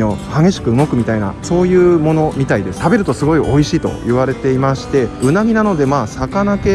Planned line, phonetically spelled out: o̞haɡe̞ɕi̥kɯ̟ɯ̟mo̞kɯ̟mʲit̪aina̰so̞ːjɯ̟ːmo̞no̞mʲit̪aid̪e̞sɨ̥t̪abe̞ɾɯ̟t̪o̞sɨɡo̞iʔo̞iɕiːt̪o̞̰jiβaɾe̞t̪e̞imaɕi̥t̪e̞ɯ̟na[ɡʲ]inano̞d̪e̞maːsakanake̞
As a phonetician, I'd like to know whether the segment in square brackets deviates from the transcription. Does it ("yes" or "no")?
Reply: no